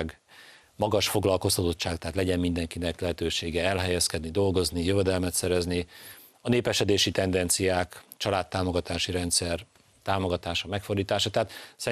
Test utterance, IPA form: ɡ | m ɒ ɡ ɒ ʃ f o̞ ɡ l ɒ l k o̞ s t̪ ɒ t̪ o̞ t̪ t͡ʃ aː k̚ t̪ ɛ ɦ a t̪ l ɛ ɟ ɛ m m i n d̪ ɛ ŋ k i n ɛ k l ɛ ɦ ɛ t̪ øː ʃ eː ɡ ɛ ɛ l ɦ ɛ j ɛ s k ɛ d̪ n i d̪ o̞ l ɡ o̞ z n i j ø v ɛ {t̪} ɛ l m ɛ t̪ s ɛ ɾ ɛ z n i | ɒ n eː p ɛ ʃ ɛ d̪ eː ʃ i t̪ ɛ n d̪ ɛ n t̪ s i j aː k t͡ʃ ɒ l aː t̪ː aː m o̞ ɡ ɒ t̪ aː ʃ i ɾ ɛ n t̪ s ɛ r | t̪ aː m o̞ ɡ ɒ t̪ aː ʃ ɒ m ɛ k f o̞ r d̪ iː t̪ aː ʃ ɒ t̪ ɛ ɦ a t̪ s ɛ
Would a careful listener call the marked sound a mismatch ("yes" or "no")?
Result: yes